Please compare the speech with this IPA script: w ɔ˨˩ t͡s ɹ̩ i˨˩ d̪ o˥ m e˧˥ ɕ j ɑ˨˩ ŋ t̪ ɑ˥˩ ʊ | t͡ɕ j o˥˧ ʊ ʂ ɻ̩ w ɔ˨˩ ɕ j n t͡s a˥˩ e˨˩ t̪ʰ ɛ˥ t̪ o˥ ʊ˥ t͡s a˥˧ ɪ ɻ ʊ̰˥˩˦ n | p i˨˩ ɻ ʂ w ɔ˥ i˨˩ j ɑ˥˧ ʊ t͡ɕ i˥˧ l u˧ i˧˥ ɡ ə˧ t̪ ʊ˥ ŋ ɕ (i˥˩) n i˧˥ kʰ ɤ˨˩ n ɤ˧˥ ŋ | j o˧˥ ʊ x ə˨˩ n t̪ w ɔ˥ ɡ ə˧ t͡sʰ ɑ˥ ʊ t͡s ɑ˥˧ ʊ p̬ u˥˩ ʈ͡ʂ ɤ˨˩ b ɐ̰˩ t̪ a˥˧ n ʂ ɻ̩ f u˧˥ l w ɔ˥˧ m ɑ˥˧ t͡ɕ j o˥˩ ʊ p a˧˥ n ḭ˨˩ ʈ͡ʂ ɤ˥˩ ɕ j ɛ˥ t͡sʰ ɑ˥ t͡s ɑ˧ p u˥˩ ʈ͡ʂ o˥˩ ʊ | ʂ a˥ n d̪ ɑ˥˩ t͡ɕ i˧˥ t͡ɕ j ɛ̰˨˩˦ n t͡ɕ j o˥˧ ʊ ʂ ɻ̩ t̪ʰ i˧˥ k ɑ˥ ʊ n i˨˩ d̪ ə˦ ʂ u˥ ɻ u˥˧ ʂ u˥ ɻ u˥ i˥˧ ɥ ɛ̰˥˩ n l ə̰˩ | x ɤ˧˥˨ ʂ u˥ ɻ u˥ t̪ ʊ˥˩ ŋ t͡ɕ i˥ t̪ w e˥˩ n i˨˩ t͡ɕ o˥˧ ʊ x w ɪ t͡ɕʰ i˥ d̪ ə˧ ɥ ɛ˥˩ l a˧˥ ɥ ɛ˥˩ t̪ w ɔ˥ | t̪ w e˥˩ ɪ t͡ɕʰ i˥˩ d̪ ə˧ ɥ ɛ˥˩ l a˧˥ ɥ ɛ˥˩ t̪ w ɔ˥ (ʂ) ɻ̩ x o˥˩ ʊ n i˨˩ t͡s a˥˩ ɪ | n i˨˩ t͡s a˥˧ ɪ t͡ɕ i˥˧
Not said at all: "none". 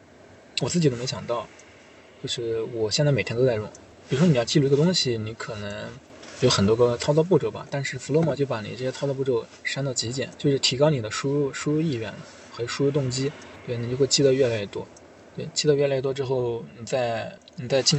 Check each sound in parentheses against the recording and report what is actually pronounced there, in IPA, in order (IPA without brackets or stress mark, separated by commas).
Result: i˨, ʈ͡ʂ